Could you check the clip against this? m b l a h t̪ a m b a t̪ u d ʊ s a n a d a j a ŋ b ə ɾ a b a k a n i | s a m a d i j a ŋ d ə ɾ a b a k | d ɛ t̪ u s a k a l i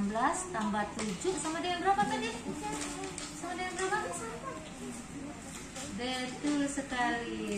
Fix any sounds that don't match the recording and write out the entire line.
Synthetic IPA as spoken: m b l a s t̪ a m b a t̪ u d͡ʒ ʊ s a m a d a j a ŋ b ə ɾ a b a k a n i | s a m a d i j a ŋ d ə ɾ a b a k | d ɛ t̪ u s ə k a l i